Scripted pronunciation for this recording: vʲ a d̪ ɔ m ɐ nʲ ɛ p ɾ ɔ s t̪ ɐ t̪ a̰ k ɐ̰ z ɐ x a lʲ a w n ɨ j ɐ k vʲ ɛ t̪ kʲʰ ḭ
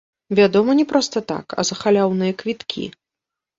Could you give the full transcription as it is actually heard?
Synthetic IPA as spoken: vʲ a d̪ ɔ m ɐ nʲ ɛ p ɾ ɔ s t̪ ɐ t̪ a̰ k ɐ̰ z ɐ x a lʲ a w n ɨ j ɐ k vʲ i t̪ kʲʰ ḭ